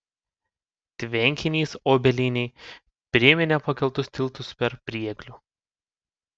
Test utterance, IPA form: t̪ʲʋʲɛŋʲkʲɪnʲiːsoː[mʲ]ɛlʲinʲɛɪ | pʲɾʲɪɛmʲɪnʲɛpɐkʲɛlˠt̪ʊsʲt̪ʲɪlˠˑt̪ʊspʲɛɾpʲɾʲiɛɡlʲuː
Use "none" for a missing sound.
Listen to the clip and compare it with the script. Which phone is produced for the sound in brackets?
bʲ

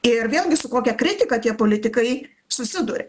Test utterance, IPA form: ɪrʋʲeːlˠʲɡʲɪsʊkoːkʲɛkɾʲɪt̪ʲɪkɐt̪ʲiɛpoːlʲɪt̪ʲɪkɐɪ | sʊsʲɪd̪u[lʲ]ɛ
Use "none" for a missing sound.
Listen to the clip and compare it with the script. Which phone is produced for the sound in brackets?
ɾʲ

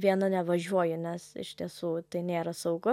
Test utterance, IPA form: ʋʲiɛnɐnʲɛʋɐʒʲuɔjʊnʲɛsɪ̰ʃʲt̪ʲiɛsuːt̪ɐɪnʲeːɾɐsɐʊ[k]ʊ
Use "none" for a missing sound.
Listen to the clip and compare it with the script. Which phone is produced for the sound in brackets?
ɡ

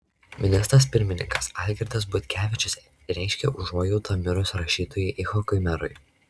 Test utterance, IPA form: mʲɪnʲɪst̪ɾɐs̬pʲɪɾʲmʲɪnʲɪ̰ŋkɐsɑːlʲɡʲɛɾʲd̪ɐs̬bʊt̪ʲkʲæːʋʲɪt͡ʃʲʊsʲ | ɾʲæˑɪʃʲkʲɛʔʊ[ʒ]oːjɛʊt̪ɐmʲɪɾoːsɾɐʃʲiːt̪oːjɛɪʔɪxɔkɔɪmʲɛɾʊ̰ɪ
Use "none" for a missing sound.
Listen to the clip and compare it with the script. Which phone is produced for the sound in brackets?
ʒ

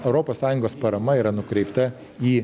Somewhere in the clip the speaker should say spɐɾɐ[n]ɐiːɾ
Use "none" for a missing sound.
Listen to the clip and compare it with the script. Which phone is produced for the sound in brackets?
m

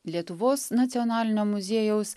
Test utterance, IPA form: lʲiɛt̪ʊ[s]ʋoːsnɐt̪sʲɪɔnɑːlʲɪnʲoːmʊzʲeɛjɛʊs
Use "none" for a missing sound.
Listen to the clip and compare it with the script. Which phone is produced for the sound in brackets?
none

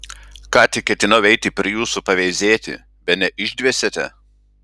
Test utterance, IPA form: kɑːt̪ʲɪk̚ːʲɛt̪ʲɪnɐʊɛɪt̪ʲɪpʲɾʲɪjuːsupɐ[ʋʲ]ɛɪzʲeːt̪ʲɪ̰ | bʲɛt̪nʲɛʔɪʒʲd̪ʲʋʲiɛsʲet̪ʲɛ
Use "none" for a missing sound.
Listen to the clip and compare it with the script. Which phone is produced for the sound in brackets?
ʋʲ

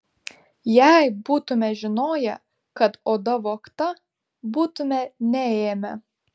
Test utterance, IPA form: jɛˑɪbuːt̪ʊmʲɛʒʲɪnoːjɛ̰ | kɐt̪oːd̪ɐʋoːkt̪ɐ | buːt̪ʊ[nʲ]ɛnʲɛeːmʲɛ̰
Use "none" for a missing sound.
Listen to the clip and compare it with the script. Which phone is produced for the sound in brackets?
mʲ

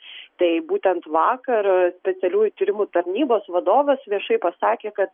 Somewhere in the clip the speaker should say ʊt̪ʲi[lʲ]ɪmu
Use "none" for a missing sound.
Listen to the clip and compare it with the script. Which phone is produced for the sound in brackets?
ɾʲ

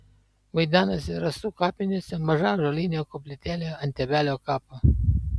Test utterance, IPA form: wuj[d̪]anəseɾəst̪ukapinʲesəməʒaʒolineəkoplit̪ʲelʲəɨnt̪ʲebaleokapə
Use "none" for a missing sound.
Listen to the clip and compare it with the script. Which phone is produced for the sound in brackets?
d̪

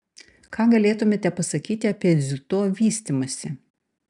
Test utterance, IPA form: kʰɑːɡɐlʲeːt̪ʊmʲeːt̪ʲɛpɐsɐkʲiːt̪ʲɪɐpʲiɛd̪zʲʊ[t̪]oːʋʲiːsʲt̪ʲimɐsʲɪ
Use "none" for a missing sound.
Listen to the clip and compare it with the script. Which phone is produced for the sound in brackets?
t̪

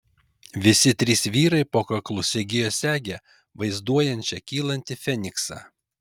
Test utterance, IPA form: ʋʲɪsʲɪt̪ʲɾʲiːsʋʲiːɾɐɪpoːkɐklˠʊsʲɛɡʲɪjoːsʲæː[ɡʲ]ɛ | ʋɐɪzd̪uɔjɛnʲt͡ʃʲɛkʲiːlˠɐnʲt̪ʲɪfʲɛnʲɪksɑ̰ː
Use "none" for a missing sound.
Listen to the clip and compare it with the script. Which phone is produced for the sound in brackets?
ɡʲ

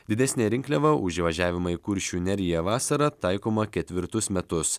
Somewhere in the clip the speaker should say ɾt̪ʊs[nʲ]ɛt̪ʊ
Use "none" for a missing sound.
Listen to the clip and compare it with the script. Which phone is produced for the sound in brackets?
mʲ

